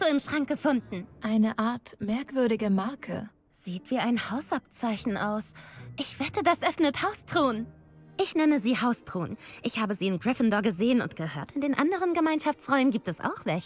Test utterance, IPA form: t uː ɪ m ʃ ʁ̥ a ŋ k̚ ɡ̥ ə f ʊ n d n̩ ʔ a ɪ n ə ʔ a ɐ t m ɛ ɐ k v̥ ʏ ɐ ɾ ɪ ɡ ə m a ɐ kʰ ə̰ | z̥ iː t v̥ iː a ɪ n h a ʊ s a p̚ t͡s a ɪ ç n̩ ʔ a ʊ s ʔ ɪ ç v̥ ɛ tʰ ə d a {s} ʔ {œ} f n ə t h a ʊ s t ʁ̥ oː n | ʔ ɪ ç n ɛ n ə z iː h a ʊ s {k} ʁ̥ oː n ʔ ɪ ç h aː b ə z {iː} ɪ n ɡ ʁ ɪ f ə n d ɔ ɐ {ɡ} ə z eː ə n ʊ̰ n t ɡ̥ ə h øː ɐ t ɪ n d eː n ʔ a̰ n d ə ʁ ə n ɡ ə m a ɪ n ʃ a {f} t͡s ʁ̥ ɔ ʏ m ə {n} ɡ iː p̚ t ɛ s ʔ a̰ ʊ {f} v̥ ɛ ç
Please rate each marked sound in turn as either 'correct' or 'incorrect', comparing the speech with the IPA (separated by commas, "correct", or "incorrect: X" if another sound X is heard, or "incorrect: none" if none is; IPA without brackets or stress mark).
correct, correct, incorrect: t, correct, correct, correct, correct, incorrect: x